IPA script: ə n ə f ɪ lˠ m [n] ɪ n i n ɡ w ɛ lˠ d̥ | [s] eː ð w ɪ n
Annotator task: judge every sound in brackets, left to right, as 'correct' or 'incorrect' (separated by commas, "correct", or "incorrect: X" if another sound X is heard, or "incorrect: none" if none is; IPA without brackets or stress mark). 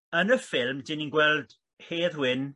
incorrect: d, incorrect: h